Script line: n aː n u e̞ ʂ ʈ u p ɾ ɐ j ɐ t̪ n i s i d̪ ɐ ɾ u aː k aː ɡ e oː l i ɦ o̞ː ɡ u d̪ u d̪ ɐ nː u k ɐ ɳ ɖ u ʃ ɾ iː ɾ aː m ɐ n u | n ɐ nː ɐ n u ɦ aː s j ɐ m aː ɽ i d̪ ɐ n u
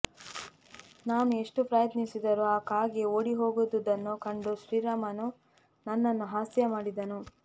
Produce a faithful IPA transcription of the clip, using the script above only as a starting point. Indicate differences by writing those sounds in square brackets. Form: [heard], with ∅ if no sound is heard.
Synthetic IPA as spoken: n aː n u e̞ ʂ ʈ u p ɾ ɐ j ɐ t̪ n i s i d̪ ɐ ɾ u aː k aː ɡ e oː [ɽ] i ɦ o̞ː ɡ u d̪ u d̪ ɐ nː u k ɐ ɳ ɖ u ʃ ɾ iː ɾ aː m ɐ n u | n ɐ nː ɐ [nː] u ɦ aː s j ɐ m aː ɽ i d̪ ɐ n u